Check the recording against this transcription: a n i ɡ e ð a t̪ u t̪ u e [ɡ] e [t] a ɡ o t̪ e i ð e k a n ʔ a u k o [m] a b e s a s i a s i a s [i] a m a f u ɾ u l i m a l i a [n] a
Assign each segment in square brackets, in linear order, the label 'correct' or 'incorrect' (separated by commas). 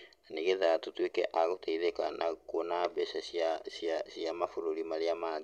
incorrect, incorrect, incorrect, correct, incorrect